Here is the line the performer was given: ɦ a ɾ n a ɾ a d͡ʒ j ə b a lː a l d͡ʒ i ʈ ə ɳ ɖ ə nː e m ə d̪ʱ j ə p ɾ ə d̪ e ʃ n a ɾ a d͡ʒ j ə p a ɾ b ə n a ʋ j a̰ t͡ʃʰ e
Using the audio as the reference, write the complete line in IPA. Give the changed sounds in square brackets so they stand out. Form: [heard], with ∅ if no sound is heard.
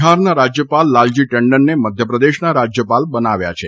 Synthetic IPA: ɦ a ɾ n a ɾ a d͡ʒ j ə [p] a lː a l d͡ʒ i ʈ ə ɳ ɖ ə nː e m ə d̪ʱ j ə p ɾ ə d̪ e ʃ n a ɾ a d͡ʒ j ə p a [l] b ə n a ʋ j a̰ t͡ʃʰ e